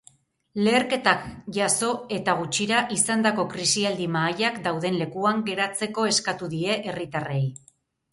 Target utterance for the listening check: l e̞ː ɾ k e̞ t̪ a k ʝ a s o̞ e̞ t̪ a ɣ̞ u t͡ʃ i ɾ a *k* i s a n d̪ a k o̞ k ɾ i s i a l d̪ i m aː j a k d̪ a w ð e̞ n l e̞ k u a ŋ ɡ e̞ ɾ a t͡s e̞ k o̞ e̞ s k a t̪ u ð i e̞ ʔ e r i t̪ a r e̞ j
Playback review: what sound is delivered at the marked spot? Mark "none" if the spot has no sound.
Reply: ʔ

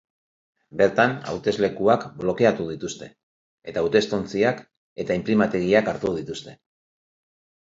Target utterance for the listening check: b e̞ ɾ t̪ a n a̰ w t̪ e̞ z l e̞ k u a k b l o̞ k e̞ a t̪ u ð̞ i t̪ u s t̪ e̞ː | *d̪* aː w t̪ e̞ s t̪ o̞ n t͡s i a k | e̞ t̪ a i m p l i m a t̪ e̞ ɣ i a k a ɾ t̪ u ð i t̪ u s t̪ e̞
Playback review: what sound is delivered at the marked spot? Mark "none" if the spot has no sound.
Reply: t̪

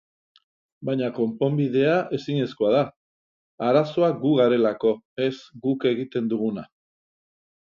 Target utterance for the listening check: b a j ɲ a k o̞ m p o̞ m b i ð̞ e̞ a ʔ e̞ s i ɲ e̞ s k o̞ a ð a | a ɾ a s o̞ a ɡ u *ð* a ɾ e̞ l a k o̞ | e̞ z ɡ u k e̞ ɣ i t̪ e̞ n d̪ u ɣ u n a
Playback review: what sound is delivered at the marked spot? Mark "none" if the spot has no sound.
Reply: ɣ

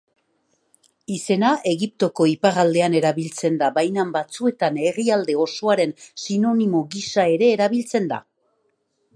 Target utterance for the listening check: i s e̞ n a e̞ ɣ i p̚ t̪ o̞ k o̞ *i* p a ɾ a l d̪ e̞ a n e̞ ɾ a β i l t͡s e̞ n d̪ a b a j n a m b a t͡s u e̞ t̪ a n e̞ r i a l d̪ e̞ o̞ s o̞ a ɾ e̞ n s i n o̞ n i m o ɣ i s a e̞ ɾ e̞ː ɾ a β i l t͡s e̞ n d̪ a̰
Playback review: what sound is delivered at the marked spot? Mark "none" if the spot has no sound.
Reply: i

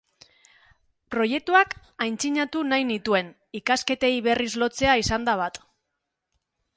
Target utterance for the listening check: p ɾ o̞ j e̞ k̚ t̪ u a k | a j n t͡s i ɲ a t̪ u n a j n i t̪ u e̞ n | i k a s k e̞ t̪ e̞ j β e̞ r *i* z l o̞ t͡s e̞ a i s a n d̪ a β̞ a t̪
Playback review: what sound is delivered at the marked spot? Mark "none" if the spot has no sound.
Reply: i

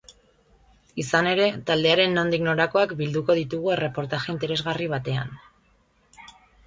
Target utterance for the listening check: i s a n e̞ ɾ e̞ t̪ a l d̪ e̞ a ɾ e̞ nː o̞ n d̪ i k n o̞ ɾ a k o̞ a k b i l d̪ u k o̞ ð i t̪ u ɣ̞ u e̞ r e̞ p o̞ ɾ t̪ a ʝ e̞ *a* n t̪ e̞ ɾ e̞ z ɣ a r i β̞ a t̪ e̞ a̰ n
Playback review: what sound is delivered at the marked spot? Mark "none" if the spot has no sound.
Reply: i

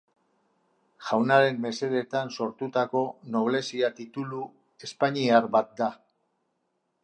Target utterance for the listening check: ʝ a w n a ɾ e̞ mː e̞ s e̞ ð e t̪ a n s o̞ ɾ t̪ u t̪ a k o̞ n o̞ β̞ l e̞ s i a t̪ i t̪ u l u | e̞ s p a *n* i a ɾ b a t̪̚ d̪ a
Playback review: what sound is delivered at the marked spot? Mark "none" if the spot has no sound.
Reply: ɲ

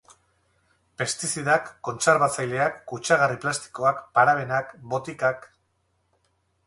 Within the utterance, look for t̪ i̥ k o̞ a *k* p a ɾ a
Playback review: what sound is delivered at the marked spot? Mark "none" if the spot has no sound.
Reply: k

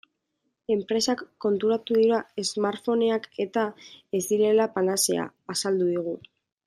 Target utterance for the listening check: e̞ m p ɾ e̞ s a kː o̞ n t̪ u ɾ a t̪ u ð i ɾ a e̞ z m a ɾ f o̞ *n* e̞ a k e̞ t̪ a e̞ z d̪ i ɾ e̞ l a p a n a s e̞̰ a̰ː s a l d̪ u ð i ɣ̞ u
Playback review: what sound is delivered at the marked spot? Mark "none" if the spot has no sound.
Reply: n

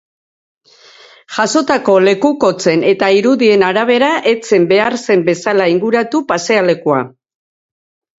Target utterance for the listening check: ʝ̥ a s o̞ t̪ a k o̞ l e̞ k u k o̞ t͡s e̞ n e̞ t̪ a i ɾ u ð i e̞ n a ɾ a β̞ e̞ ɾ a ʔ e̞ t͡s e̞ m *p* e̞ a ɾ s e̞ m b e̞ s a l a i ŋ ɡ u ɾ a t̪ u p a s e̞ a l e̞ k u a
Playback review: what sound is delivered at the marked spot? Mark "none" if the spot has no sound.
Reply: b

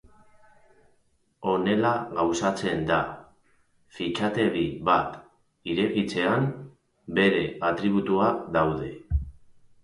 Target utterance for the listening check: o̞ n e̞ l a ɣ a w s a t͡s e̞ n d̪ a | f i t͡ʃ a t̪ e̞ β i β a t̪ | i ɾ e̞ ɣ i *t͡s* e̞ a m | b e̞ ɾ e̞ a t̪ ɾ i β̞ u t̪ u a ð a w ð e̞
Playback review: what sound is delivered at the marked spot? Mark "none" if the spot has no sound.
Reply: t͡s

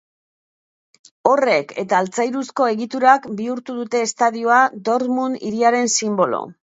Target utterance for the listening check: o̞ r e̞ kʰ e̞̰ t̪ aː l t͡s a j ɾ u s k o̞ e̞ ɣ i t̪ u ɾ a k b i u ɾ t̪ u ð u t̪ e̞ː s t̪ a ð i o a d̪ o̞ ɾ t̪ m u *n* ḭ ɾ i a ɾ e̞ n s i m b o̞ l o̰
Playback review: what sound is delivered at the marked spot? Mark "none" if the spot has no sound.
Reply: n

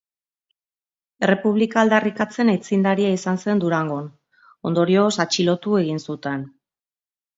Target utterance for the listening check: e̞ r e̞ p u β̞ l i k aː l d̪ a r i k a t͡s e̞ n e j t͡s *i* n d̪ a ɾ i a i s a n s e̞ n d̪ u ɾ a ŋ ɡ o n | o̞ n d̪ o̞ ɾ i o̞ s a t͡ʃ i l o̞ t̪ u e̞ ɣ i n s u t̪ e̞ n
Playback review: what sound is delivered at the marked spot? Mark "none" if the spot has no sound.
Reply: i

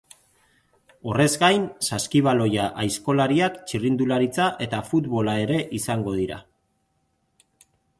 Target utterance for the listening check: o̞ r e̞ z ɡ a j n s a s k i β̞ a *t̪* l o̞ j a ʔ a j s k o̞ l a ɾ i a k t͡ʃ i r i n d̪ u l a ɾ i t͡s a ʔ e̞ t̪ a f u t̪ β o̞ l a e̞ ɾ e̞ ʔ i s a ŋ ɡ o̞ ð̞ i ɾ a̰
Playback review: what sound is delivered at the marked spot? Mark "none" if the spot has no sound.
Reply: none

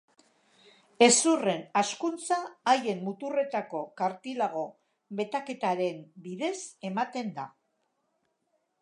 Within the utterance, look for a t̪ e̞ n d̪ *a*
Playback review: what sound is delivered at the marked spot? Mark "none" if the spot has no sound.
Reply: a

